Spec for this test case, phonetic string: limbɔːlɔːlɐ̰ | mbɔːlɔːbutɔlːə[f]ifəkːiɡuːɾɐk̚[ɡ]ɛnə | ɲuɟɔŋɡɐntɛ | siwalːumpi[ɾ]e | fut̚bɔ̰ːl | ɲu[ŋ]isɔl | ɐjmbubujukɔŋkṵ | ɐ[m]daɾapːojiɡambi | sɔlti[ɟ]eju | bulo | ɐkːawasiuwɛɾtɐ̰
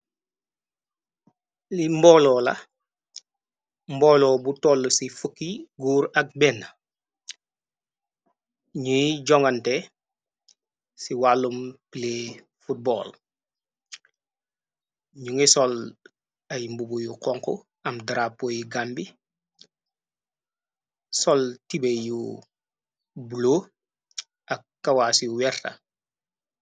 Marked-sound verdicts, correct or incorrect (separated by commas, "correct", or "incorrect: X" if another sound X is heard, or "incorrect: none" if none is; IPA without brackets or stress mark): incorrect: s, incorrect: b, incorrect: l, correct, correct, incorrect: b